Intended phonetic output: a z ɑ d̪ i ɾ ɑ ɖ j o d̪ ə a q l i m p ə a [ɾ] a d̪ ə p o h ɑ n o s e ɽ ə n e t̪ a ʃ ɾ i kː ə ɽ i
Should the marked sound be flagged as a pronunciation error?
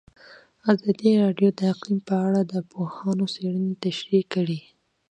yes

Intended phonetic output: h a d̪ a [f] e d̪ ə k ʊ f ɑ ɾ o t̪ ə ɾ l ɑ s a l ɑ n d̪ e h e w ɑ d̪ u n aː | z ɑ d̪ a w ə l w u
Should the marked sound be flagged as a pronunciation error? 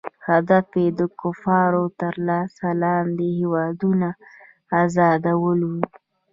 no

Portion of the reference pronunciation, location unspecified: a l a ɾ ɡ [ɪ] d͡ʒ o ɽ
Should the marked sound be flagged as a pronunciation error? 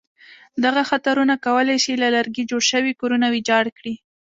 yes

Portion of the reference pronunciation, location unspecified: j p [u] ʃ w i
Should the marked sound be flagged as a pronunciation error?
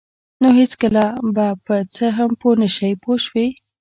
yes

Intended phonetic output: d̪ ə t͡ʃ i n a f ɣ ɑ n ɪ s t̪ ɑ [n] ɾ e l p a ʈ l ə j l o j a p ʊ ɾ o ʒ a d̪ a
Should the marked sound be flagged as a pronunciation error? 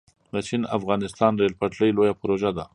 no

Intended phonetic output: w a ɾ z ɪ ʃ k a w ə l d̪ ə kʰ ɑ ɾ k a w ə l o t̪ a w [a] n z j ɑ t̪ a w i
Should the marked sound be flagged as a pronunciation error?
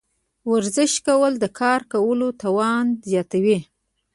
yes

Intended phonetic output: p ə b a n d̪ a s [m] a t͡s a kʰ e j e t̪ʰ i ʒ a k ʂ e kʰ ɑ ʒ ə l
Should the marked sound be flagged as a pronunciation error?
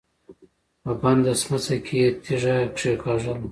no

